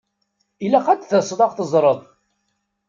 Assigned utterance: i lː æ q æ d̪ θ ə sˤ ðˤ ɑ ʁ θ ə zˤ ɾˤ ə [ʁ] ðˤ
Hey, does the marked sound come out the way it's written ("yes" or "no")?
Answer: no